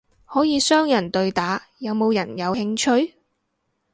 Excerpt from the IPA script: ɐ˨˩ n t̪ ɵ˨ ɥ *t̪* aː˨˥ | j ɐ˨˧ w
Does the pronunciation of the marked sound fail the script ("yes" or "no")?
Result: no